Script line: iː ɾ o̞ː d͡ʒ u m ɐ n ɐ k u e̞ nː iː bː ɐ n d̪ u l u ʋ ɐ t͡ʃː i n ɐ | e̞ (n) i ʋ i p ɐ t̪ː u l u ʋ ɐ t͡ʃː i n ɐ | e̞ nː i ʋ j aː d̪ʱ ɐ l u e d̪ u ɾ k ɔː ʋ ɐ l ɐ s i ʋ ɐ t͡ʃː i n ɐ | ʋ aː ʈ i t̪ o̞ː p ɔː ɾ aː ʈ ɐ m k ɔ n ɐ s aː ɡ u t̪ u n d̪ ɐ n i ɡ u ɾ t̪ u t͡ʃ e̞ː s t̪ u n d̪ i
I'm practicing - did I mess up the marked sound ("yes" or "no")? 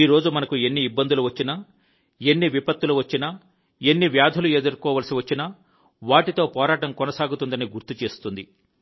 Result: yes